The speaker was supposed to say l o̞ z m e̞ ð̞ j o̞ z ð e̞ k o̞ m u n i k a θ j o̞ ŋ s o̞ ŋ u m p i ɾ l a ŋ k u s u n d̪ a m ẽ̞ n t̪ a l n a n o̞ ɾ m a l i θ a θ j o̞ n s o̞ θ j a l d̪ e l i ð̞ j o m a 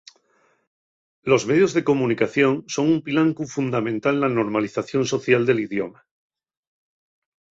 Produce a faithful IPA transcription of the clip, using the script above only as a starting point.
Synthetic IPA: l o̞ z m e̞ ð̞ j o̞ z ð e̞ k o̞ m u n i k a θ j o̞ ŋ s o̞ ŋ u m p i l a ŋ k u f u n d̪ a m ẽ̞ n t̪ a l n a n o̞ ɾ m a l i θ a θ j o̞ n s o̞ θ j a l d̪ e l i ð̞ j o m a